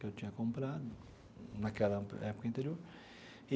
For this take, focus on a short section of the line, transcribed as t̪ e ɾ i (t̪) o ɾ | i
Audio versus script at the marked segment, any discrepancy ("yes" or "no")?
yes